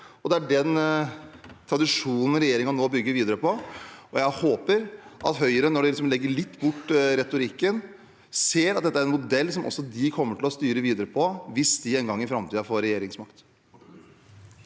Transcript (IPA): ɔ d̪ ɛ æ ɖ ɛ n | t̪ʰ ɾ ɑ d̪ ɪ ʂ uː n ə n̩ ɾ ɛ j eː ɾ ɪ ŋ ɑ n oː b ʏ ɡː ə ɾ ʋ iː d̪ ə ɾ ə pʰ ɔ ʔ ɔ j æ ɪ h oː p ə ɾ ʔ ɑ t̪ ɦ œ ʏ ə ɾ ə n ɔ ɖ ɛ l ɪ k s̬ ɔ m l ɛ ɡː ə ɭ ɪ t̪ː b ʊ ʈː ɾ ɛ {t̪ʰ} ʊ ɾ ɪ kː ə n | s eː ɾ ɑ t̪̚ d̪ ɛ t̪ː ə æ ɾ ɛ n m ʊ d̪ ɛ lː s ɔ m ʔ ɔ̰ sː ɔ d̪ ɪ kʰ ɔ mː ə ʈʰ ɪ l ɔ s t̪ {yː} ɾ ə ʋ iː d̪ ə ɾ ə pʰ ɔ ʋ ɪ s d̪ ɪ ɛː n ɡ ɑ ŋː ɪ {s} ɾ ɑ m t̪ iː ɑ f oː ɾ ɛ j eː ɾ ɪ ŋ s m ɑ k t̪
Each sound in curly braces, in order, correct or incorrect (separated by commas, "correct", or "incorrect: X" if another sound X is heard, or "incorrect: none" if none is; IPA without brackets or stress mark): incorrect: t̪, correct, incorrect: f